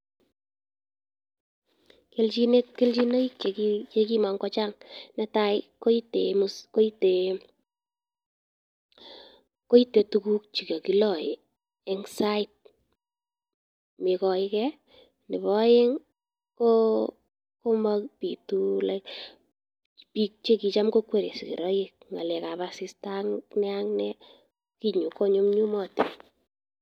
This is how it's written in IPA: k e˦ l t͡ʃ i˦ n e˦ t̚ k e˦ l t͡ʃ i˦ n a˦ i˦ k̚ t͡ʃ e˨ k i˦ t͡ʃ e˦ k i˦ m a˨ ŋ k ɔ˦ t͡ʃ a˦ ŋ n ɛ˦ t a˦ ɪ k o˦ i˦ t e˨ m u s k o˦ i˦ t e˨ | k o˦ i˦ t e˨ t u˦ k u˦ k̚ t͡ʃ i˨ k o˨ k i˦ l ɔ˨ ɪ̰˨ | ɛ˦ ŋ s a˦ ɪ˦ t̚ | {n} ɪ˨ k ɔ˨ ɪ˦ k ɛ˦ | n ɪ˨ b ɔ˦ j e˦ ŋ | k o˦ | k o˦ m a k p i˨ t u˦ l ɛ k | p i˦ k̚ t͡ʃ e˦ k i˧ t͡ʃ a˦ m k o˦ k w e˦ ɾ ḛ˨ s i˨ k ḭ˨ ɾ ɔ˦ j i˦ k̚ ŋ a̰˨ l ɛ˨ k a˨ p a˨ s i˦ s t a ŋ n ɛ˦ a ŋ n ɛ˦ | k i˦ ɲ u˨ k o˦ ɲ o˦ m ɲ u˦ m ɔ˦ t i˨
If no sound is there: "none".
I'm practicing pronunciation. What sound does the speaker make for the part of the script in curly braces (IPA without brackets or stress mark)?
m